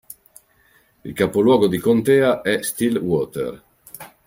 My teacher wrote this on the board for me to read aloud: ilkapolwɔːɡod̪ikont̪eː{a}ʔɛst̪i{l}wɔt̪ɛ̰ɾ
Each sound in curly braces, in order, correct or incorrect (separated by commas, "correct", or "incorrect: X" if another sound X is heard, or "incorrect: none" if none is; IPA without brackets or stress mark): correct, correct